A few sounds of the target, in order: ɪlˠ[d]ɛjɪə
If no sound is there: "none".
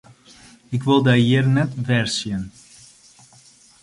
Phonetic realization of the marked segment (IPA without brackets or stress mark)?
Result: d